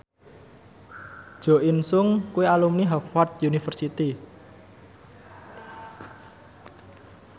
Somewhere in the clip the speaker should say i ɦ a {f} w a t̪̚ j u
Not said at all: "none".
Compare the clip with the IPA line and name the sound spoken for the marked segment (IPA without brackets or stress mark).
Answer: f